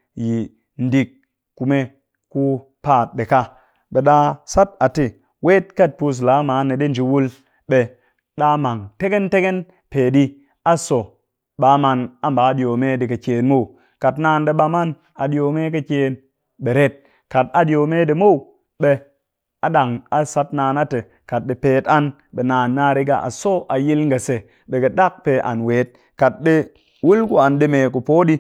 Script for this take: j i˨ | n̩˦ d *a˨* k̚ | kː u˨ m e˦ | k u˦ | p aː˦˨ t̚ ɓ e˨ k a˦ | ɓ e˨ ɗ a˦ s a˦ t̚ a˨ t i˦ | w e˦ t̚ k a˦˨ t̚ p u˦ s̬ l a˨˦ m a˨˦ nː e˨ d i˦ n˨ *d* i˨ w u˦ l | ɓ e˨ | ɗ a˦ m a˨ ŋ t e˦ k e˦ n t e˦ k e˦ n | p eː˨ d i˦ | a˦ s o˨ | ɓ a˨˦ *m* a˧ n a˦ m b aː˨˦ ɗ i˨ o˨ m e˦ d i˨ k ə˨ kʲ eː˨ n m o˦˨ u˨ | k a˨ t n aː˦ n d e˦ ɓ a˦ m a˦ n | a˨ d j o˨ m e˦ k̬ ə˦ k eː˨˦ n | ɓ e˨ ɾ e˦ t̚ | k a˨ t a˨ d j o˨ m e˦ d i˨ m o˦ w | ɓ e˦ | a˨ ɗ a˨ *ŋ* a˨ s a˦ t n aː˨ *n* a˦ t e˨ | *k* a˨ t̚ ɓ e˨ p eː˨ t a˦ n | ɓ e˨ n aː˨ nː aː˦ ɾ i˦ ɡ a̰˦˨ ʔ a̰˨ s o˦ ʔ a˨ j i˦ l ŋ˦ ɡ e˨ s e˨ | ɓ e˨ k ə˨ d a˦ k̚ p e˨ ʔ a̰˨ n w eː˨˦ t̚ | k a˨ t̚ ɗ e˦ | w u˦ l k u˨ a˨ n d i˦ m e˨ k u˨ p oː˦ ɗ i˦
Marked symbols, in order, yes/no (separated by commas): no, no, yes, yes, yes, yes